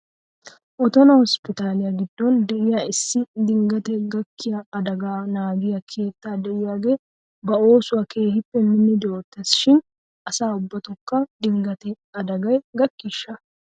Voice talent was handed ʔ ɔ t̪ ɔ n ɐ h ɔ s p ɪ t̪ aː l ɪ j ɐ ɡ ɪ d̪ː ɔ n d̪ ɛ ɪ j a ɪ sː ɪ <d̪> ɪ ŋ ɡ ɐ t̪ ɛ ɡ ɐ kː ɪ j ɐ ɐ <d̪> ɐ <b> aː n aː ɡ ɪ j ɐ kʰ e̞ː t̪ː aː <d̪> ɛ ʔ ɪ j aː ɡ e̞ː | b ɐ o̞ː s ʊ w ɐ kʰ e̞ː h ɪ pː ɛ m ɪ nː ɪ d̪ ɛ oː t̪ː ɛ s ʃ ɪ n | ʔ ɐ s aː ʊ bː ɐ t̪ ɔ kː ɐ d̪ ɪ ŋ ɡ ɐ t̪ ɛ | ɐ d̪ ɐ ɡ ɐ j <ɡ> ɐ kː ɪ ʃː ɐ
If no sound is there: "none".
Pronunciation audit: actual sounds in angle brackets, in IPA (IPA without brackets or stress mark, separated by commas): d̪, d̪, ɡ, d̪, ɡ